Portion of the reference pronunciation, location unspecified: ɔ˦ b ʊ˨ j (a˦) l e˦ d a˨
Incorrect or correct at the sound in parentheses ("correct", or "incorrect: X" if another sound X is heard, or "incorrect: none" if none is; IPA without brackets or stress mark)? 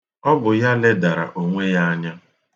correct